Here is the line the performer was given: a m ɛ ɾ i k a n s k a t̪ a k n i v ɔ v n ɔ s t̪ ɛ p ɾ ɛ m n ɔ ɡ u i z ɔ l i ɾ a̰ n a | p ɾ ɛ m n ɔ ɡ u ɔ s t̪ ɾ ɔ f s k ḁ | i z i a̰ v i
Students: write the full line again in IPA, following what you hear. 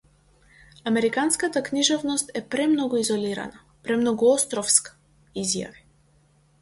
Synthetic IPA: a m ɛ ɾ i k a n s k a t̪ a k n i ʒ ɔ v n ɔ s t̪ ɛ p ɾ ɛ m n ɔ ɡ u i z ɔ l i ɾ a̰ n a | p ɾ ɛ m n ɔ ɡ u ɔ s t̪ ɾ ɔ f s k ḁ | i z j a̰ v i